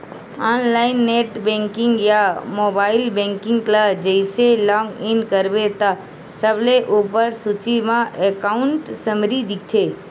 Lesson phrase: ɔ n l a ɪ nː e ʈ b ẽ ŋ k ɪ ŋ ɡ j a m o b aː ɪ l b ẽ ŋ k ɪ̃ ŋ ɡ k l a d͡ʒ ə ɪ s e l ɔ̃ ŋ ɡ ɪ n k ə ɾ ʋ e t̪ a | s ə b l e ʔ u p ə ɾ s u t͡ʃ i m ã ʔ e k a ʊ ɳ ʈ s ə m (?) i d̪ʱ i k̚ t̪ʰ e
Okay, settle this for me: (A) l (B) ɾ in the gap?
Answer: B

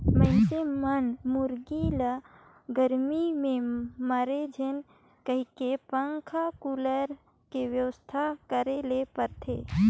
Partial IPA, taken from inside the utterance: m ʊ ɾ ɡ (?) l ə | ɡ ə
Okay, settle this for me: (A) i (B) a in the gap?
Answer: A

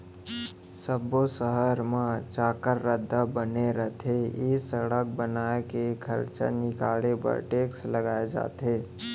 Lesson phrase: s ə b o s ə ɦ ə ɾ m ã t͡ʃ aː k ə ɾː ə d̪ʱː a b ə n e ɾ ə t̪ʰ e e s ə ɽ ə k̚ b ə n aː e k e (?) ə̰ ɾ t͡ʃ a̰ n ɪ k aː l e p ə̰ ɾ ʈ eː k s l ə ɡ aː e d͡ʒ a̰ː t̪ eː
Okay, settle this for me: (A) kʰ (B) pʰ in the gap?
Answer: A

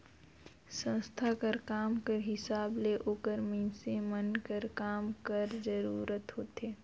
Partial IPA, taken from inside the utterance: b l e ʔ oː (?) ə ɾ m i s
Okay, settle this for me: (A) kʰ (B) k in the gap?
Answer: B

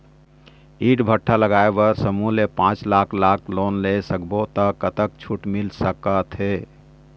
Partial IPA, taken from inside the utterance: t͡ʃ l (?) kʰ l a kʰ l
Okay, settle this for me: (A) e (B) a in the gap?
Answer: B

